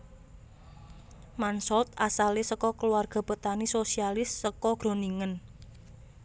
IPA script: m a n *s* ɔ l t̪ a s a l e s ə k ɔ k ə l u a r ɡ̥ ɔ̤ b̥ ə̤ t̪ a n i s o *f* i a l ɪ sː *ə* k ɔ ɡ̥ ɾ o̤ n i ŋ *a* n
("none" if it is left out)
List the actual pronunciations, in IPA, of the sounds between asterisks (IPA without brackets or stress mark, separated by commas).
s, s, ə, ə